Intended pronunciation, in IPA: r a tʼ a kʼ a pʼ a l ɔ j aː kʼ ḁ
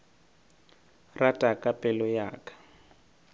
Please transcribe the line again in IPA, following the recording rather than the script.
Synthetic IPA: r a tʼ a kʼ a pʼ ɛ l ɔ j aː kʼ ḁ